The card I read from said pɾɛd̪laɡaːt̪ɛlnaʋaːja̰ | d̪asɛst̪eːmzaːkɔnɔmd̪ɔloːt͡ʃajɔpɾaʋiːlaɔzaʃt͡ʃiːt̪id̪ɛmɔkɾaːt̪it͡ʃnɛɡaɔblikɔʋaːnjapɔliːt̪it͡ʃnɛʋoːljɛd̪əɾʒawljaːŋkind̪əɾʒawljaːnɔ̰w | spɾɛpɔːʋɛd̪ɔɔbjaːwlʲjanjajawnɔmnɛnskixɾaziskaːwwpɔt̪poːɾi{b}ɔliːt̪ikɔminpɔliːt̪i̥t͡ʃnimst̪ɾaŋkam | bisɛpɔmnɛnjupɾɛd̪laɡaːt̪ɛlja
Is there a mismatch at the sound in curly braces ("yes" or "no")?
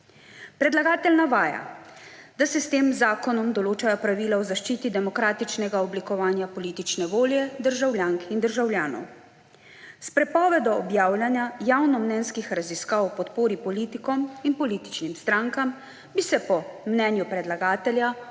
yes